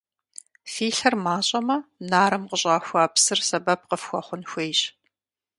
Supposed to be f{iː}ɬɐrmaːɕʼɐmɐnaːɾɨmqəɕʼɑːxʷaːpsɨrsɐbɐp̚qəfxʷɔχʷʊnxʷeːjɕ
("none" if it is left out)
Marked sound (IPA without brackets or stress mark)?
iː